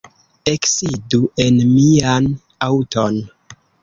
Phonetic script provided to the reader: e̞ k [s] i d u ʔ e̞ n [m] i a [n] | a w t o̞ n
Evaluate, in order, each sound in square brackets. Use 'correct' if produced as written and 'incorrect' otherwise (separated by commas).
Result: correct, correct, correct